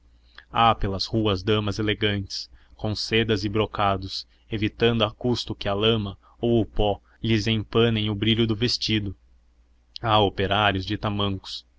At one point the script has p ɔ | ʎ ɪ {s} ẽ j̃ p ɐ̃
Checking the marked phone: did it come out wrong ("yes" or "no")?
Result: yes